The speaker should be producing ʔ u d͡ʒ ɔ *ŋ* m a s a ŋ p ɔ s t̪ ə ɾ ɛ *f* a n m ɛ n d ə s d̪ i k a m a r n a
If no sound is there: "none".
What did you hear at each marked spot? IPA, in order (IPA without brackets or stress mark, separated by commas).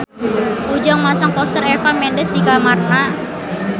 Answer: ŋ, f